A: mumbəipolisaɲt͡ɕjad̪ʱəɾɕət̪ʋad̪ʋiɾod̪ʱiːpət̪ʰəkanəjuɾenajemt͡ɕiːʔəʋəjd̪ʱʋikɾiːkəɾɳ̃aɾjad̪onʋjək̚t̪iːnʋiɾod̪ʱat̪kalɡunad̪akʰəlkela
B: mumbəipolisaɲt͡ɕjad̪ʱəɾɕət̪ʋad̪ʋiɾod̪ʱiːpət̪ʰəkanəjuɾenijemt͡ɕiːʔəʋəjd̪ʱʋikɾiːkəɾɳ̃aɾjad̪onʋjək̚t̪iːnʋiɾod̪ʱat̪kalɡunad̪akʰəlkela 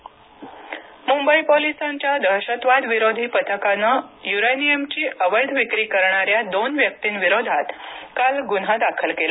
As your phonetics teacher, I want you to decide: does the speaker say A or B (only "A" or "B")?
B